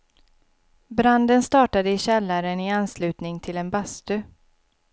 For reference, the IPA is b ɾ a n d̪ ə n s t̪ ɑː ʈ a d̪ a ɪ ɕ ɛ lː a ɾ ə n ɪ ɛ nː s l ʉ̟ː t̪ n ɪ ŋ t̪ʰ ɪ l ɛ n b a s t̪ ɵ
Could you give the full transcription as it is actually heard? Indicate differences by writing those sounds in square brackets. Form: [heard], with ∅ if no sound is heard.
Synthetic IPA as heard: b ɾ a n d̪ ə n s t̪ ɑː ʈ a d̪ [ə] ɪ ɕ ɛ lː a ɾ ə n ɪ [a] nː s l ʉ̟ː t̪ n ɪ ŋ t̪ʰ ɪ l ɛ n b a s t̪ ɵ